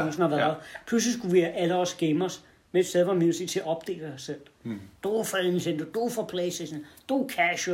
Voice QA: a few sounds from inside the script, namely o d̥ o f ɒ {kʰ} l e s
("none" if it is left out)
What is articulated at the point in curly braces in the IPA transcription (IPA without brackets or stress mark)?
pʰ